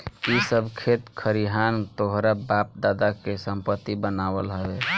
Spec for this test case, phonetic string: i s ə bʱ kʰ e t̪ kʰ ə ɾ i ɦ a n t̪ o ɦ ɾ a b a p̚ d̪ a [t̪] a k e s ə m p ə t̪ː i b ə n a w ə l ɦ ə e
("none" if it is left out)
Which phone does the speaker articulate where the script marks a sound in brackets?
d̪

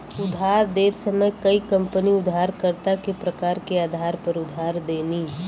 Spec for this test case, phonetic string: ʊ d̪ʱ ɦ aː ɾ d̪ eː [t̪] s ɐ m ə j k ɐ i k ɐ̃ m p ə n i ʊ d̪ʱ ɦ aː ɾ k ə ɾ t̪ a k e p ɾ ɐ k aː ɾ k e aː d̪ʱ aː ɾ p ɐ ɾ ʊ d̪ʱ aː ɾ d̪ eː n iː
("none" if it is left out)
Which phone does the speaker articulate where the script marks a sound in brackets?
t̪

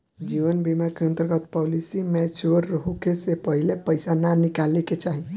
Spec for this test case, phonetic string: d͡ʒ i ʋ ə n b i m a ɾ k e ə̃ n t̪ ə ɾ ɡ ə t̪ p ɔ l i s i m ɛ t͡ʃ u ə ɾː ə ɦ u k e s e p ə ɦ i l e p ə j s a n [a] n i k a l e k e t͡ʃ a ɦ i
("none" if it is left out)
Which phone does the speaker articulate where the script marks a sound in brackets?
a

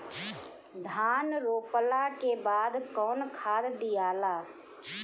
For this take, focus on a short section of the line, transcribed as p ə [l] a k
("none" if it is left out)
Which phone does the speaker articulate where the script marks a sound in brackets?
l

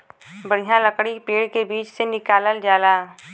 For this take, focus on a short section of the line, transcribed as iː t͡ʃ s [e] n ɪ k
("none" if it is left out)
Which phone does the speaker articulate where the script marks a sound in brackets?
e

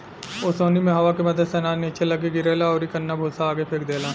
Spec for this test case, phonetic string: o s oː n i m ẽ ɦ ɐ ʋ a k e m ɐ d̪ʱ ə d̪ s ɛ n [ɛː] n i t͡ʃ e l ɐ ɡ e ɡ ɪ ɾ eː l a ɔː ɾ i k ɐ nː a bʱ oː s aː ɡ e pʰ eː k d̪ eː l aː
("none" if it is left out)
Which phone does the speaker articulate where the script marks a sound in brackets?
aː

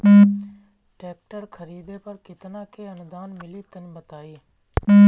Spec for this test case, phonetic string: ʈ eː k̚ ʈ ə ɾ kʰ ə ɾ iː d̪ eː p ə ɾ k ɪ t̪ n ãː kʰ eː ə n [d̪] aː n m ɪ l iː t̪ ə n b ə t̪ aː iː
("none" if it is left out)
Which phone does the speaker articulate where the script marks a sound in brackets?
d̪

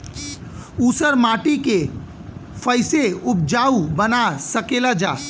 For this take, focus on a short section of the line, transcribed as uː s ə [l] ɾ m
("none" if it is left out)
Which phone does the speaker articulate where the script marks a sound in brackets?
none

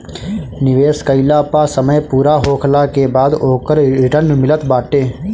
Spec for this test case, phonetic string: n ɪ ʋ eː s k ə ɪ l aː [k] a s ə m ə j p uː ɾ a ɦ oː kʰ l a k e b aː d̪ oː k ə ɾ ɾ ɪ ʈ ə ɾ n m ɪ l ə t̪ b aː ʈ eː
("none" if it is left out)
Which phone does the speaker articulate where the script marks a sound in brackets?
p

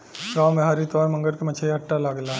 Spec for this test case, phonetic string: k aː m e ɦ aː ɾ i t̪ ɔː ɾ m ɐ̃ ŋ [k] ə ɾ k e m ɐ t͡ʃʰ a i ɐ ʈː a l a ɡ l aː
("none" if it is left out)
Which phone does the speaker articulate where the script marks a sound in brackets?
ɡ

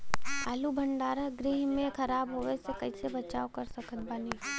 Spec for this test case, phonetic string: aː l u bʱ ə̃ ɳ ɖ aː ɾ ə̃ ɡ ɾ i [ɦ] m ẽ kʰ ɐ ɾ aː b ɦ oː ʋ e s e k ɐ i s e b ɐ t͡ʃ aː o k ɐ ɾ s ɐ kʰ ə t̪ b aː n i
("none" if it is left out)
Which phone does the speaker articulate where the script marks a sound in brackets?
ɦ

